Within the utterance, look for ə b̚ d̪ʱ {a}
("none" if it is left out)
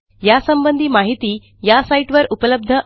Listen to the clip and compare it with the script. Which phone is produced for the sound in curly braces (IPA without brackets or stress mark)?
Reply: ə